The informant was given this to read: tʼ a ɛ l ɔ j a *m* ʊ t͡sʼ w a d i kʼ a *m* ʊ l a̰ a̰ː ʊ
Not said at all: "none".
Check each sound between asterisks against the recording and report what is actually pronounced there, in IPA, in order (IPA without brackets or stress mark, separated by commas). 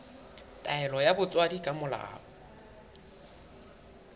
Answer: b, m